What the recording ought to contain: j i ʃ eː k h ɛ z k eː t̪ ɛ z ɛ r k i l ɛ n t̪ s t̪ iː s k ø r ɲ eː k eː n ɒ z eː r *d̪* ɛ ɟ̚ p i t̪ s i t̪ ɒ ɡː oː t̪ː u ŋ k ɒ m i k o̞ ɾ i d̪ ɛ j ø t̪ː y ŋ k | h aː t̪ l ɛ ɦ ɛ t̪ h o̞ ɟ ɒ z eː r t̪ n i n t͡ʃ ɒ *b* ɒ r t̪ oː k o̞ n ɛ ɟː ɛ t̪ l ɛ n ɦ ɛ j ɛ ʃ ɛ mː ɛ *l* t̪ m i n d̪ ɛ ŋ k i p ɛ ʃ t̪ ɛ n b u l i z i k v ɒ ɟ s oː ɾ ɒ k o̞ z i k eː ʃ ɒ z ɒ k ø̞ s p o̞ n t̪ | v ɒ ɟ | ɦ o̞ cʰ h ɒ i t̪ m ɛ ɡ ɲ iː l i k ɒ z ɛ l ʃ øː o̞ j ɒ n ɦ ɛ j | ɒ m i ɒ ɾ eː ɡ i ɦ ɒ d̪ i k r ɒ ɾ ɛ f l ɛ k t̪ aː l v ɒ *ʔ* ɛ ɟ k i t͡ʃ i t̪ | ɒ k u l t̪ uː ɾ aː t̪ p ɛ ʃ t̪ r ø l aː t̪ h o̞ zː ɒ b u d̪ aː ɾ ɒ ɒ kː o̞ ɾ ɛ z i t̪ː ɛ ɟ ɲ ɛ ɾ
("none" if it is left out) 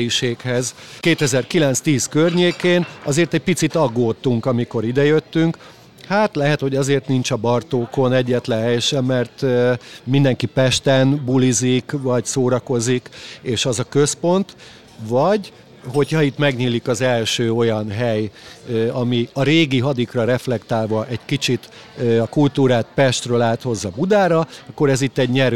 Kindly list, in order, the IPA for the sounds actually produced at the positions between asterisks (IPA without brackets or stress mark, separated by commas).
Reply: t̪, b, r, ʔ